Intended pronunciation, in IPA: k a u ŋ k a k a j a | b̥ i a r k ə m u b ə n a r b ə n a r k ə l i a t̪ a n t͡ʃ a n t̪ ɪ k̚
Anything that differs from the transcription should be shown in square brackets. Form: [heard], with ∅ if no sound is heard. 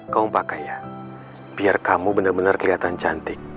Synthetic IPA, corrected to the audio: k a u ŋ [p] a k a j a | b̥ i a r k [a] m u b ə n a r b ə n a r k ə l i a t̪ a n t͡ʃ a n t̪ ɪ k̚